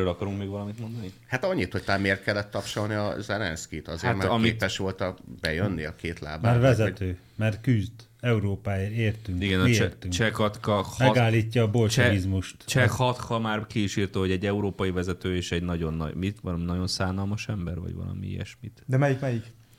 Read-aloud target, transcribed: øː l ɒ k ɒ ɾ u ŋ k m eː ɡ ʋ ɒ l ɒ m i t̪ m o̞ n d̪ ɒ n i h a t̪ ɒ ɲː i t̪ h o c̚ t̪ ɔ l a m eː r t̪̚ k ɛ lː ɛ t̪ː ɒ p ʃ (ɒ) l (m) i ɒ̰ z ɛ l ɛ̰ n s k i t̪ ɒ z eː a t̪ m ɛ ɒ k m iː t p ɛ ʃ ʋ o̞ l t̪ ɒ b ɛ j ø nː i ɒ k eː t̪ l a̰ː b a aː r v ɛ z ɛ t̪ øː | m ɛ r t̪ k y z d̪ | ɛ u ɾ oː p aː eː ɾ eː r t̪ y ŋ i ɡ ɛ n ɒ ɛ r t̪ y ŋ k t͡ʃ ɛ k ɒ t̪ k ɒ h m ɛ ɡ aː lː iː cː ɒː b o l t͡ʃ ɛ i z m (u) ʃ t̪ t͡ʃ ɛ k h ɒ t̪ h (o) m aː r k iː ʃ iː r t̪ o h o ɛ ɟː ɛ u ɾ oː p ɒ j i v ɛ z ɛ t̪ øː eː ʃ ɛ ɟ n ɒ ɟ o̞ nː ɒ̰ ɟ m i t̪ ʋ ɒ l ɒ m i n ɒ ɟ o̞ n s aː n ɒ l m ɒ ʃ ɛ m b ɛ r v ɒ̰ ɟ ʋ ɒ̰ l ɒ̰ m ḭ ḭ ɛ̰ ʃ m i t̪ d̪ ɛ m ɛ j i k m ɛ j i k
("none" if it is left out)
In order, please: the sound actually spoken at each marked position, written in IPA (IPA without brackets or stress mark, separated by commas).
o, n, u, ɒ